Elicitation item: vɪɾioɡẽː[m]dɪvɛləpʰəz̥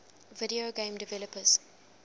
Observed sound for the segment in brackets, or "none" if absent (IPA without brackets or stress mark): m